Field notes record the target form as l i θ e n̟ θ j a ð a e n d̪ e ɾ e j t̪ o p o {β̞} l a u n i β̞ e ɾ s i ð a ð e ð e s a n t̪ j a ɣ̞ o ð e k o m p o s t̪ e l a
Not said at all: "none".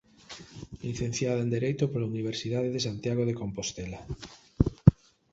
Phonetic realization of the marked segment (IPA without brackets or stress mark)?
none